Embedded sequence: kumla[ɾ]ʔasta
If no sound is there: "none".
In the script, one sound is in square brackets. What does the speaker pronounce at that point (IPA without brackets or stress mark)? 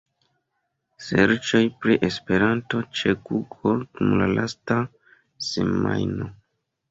l